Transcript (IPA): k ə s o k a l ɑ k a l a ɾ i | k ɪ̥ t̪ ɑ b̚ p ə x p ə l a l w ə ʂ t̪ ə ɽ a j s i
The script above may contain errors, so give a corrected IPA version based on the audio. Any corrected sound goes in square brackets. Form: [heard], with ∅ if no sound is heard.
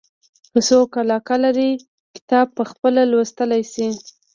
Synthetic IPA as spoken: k ə s o k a l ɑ k a l a ɾ i | k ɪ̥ t̪ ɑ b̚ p ə x p ə l a l w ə [s] t̪ ə [l] a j s i